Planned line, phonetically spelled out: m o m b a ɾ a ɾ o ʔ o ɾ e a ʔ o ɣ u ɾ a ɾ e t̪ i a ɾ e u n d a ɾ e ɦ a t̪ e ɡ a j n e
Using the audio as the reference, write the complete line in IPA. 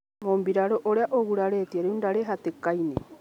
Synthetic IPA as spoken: m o m b i ɾ a ɾ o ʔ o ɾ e a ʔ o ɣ u ɾ a ɾ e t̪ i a ɾ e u n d a ɾ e ɦ a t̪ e k a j n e